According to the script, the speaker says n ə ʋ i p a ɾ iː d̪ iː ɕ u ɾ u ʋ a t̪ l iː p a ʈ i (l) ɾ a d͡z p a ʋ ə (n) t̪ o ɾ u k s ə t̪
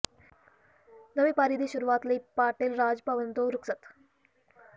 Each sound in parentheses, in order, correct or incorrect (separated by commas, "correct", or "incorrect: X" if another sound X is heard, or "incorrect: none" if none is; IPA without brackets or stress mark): correct, correct